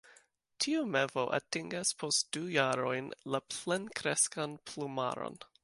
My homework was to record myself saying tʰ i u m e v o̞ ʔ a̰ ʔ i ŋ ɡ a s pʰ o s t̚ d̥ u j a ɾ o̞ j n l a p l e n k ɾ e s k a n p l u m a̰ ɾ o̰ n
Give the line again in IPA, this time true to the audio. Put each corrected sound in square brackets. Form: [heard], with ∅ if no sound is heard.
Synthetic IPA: tʰ i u m e v o̞ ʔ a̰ [t] i ŋ ɡ a s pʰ o s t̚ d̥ u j a ɾ o̞ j n l a p l e n k ɾ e s k a n p l u m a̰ ɾ o̰ n